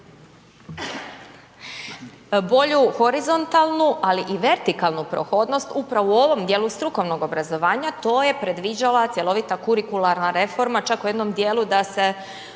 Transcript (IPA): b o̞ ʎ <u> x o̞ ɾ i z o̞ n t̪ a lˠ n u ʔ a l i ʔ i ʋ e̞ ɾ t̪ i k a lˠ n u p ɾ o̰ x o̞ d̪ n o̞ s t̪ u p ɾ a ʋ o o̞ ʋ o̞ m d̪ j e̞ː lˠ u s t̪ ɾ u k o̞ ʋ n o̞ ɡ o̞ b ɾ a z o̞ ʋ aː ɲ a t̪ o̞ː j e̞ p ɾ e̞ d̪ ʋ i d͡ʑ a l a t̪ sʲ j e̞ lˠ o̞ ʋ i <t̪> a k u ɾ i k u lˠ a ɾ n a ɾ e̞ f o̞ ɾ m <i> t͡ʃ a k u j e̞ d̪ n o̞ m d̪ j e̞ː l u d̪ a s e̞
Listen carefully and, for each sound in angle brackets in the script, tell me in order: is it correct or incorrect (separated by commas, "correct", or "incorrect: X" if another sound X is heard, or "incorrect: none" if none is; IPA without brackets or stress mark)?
correct, correct, incorrect: a